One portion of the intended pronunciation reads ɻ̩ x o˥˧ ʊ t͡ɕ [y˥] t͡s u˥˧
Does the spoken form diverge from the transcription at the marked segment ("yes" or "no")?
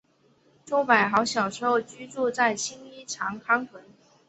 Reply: no